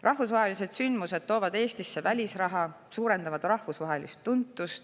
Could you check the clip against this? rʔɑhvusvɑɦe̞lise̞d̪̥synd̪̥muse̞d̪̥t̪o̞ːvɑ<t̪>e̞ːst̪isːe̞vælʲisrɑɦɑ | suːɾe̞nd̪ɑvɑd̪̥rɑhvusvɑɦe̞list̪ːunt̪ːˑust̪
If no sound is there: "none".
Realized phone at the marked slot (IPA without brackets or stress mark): d̪